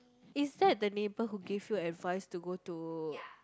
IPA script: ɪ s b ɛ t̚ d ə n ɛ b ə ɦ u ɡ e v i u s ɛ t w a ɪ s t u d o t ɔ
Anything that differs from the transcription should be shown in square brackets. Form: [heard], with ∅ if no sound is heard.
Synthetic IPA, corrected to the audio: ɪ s [d] ɛ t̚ d ə n [e] b ə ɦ u ɡ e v [j] u [∅] ɛ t [v] a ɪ s t u [ɡ] o t [u]